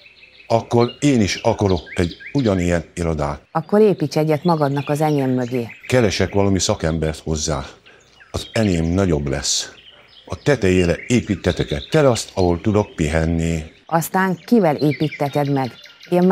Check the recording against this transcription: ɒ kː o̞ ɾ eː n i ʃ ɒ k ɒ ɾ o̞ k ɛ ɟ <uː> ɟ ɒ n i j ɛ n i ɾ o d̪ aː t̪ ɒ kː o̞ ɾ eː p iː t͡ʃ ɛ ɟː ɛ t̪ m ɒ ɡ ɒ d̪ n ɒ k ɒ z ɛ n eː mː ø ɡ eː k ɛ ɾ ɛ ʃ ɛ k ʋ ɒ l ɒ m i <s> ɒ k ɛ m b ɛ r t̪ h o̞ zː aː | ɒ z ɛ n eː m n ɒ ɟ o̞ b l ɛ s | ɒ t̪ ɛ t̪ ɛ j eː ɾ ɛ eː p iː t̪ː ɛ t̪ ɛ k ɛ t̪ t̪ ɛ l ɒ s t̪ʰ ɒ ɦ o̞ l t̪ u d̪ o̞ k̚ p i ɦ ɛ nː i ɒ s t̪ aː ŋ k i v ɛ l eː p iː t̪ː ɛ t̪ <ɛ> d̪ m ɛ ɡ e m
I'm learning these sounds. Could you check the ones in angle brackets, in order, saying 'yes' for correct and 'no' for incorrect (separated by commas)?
no, yes, yes